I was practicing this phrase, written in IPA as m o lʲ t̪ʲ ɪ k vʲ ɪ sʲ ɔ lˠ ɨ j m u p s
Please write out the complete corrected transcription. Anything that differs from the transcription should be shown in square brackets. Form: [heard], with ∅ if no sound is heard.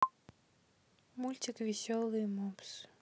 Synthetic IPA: m [u] lʲ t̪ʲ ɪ k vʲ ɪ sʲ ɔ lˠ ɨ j m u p s